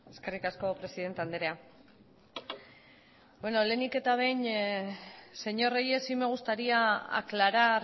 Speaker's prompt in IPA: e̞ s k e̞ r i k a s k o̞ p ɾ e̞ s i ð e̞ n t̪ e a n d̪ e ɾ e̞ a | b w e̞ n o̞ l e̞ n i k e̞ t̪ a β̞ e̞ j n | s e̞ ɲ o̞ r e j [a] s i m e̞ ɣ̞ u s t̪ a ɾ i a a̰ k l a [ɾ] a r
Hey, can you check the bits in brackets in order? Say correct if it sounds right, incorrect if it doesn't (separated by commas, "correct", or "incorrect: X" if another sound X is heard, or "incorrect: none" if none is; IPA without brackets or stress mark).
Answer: incorrect: e, correct